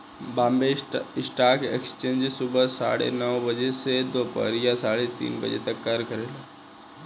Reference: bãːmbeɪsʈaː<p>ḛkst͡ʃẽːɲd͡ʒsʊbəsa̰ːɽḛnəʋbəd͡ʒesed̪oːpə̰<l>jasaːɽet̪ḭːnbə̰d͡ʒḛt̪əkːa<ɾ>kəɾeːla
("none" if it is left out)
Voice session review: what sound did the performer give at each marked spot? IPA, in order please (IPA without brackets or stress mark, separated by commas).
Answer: k, ɾ, ɾ